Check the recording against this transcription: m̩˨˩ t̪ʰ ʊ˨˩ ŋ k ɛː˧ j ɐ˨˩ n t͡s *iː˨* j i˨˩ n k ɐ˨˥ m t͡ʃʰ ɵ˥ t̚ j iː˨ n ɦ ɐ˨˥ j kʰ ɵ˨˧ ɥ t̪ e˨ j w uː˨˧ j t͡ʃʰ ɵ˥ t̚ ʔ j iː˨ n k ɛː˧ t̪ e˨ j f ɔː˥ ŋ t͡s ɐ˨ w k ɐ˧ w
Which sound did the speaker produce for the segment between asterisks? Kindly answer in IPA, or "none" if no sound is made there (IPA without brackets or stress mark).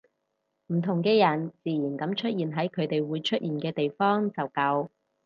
iː˨